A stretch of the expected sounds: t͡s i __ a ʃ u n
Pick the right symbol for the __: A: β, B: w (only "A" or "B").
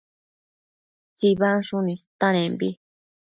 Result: A